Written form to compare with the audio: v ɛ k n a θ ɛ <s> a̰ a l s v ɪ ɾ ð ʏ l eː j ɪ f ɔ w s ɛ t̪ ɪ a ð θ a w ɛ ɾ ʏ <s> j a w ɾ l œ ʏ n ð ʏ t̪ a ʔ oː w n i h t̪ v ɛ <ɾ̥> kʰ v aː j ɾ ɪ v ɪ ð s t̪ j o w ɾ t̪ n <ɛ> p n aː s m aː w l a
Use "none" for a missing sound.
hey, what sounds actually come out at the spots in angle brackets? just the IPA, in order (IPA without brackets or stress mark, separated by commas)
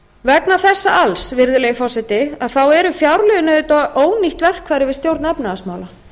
sː, f, r̥, ɛ